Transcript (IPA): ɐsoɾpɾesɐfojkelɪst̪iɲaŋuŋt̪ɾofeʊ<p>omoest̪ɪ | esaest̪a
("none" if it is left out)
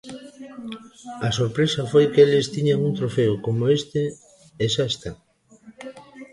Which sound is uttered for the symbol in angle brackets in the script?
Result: k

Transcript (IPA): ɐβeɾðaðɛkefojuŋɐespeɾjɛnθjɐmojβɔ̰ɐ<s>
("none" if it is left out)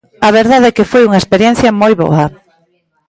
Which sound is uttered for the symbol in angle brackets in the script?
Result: none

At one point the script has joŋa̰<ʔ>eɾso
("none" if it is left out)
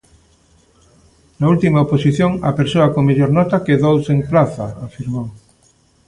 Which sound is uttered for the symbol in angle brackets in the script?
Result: p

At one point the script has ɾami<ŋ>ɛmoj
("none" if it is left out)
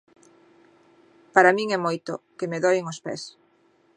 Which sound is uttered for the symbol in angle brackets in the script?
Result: ŋ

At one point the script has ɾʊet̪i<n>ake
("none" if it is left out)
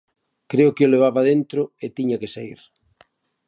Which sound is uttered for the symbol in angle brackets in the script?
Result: ɲ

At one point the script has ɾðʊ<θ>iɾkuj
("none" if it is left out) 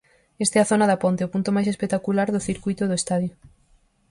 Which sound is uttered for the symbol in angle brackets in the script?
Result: θ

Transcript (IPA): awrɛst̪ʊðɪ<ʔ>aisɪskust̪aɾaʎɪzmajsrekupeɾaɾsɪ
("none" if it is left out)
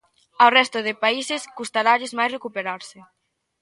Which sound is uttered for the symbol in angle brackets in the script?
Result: p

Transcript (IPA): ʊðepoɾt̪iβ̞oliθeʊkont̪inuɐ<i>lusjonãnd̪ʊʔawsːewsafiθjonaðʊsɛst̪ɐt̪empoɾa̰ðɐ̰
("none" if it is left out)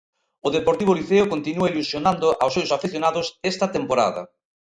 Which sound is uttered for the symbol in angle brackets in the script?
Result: i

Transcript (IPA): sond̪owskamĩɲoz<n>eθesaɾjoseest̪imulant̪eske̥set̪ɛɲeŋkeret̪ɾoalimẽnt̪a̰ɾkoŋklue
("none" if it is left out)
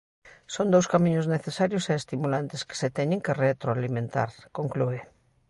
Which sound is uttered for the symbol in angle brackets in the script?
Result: n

